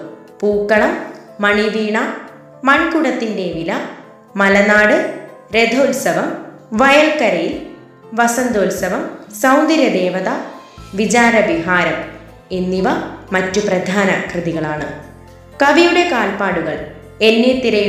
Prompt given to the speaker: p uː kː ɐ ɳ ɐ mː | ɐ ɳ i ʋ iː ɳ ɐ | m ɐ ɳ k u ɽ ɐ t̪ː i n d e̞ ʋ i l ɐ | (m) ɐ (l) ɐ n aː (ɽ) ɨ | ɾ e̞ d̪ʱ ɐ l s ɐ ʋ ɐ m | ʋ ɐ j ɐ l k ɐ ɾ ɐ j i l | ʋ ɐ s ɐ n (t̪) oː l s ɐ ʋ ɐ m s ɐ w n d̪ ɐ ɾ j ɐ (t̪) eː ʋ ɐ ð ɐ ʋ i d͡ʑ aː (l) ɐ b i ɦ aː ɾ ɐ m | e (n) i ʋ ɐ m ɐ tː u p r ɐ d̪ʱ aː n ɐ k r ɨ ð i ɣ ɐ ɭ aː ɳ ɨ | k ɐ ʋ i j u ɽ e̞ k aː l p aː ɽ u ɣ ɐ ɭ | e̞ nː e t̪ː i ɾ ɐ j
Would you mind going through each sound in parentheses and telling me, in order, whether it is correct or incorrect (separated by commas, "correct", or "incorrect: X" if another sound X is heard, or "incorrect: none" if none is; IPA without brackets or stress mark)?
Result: correct, correct, correct, incorrect: d̪, incorrect: d̪, incorrect: ɾ, incorrect: nː